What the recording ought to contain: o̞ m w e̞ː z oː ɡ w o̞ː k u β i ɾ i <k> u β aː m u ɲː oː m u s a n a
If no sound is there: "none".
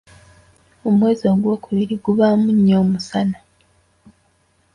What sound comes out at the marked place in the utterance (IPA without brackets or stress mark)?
ɡ